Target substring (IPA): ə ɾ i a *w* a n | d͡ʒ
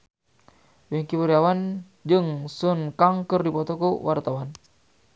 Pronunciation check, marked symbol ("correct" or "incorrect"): correct